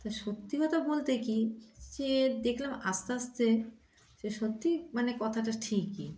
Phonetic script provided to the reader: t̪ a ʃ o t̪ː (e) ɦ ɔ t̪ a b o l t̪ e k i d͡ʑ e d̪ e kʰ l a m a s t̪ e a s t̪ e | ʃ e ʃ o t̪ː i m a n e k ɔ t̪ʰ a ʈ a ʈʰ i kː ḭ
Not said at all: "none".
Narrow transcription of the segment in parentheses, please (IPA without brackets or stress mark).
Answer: i